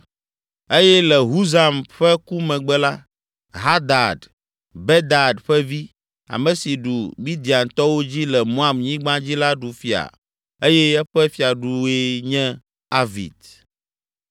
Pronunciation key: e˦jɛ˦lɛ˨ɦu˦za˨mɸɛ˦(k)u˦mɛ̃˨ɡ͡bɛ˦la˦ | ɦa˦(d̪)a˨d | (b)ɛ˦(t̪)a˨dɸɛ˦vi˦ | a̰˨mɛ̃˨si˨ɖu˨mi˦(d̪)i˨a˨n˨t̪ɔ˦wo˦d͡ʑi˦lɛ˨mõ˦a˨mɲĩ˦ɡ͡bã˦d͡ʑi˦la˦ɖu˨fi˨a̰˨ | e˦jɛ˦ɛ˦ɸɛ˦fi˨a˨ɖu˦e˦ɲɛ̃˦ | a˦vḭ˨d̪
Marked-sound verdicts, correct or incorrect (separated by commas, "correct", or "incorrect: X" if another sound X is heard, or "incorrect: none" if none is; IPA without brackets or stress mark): correct, correct, correct, incorrect: d̪, correct